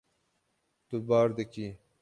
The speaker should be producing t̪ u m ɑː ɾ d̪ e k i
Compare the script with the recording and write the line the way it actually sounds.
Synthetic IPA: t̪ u b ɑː ɾ d̪ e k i